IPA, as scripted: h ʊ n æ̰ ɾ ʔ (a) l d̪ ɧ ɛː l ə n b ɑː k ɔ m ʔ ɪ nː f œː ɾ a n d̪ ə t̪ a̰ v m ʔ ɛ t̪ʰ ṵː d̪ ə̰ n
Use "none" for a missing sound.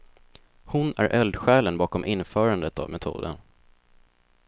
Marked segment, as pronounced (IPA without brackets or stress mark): ɛ